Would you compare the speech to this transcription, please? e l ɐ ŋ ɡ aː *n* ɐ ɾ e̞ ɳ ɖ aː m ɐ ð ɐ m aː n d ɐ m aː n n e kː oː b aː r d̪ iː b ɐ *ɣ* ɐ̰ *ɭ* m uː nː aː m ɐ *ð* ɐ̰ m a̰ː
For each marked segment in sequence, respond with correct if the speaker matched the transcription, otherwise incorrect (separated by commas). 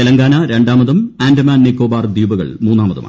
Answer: correct, correct, correct, correct